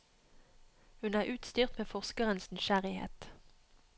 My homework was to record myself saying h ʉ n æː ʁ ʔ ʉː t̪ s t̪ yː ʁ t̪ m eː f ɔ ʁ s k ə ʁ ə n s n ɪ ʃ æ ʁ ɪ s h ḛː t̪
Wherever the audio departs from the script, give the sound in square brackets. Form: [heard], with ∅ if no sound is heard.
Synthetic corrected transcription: h ʉ n æː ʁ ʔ ʉː t̪ s t̪ yː ʁ t̪ m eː f ɔ ʁ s k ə ʁ ə n s n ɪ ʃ æ ʁ ɪ [∅] h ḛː t̪